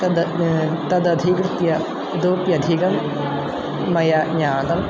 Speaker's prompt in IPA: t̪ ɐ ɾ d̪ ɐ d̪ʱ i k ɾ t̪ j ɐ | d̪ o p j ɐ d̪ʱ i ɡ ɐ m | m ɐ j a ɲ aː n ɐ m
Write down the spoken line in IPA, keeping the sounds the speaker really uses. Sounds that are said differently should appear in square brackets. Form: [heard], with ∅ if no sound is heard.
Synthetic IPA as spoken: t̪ ɐ [∅] d̪ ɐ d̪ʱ i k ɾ t̪ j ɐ | d̪ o p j ɐ d̪ʱ i ɡ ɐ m | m ɐ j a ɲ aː n ɐ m

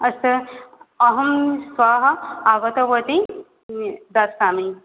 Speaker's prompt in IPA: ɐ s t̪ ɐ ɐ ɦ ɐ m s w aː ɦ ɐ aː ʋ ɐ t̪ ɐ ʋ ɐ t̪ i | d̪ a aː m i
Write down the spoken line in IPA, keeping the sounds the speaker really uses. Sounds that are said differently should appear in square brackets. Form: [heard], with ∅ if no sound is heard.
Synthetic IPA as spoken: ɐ s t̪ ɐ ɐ ɦ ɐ m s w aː ɦ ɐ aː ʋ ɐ t̪ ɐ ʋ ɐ t̪ i | d̪ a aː m i

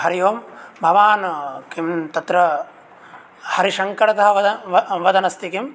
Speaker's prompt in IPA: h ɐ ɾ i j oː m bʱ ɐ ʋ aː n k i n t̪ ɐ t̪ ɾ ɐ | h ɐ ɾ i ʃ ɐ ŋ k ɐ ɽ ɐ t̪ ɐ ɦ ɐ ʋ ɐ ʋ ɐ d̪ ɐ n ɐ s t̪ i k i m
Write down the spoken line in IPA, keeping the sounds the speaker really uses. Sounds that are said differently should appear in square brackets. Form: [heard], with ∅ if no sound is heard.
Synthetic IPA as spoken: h ɐ ɾ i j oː m bʱ ɐ ʋ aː n k i [m] t̪ ɐ t̪ ɾ ɐ | h ɐ ɾ i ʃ ɐ ŋ k ɐ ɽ ɐ t̪ ɐ ɦ ɐ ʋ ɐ ʋ ɐ d̪ ɐ n ɐ s t̪ i k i m

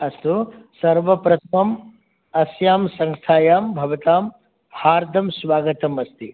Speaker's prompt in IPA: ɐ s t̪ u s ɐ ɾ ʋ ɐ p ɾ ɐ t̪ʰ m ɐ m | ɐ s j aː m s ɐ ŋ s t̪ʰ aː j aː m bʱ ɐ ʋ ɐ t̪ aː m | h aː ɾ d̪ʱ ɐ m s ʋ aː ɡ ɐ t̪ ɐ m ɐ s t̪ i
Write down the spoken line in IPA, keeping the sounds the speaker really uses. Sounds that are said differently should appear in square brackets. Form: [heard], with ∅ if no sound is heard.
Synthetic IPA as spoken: ɐ s t̪ u s ɐ ɾ ʋ ɐ p ɾ ɐ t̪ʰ m ɐ m | ɐ s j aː m s ɐ ŋ s t̪ʰ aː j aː m bʱ ɐ ʋ ɐ t̪ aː m | h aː ɾ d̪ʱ ɐ m s ʋ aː ɡ ɐ t̪ ɐ m ɐ s t̪ i

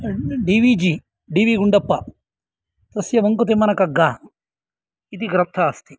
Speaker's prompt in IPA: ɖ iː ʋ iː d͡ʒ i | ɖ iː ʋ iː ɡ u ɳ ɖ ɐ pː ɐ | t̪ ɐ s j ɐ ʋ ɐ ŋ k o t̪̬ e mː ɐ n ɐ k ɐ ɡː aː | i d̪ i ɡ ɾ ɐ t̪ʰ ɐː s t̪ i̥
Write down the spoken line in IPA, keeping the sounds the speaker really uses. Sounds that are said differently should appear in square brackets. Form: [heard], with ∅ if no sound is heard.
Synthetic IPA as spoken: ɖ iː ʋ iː d͡ʒ i | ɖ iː ʋ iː ɡ u ɳ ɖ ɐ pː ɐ | t̪ ɐ s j ɐ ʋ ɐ ŋ k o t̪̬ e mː ɐ n ɐ k ɐ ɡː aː | i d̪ i ɡ ɾ ɐ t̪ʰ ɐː s t̪ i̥

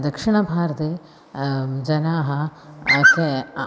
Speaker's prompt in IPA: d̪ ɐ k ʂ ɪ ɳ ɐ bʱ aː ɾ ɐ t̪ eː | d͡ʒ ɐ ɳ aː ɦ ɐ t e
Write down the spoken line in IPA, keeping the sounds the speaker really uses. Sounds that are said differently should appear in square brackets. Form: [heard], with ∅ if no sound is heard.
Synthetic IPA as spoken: d̪ ɐ k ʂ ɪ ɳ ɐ bʱ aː ɾ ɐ t̪ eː | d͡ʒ ɐ [n] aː ɦ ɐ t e

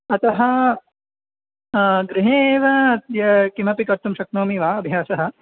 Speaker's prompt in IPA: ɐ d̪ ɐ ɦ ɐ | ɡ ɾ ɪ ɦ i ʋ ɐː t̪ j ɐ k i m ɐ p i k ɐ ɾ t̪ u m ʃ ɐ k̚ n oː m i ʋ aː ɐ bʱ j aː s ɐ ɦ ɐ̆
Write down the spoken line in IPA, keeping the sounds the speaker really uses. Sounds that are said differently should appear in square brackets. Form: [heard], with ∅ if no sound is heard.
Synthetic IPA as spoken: ɐ [t̪] ɐ ɦ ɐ | ɡ ɾ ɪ ɦ [e] ʋ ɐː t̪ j ɐ k i m ɐ p i k ɐ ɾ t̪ u m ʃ ɐ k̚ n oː m i ʋ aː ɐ bʱ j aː s ɐ ɦ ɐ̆

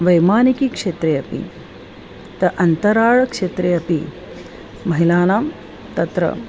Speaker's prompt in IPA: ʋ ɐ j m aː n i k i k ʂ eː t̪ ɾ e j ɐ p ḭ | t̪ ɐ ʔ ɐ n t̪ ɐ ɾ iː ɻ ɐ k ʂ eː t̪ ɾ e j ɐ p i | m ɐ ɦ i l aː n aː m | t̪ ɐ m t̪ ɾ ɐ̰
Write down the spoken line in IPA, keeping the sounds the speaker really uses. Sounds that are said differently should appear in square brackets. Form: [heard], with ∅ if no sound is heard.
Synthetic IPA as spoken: ʋ ɐ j m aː n i k i k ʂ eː t̪ ɾ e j ɐ p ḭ | t̪ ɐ ʔ ɐ n t̪ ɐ ɾ [aː] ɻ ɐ k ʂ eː t̪ ɾ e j ɐ p i | m ɐ ɦ i l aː n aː m | t̪ ɐ [∅] t̪ ɾ ɐ̰

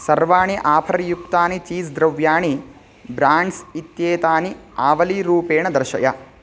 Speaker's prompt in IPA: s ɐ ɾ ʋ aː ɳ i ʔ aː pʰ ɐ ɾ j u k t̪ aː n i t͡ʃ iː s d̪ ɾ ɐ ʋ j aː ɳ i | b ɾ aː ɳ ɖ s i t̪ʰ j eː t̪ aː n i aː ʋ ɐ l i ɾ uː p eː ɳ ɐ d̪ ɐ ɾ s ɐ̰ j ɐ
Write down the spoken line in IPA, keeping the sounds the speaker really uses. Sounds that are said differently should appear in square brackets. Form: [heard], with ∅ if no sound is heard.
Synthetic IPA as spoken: s ɐ ɾ ʋ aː ɳ i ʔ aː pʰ ɐ ɾ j u k t̪ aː n i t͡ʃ iː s d̪ ɾ ɐ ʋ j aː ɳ i | b ɾ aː ɳ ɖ s i [t̪] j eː t̪ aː n i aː ʋ ɐ l i ɾ uː p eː ɳ ɐ d̪ ɐ ɾ [ʃ] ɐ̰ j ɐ

